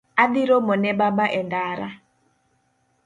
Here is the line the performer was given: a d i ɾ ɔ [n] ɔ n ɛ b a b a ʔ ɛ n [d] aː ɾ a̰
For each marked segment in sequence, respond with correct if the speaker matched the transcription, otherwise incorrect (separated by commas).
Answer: incorrect, correct